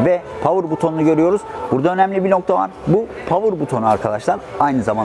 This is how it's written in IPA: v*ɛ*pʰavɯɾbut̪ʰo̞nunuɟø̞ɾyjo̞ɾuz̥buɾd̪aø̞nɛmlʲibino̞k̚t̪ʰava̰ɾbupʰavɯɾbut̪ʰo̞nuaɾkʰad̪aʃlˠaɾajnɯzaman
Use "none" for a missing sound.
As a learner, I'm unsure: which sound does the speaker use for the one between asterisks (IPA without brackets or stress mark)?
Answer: ɛ